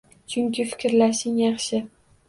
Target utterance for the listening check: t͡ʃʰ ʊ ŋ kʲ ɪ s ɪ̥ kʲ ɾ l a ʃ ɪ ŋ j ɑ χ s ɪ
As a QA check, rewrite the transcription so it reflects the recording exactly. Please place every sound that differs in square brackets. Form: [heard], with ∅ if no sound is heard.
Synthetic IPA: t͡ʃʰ ʊ ŋ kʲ ɪ [f] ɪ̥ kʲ ɾ l a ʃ ɪ ŋ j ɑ χ [ʃ] ɪ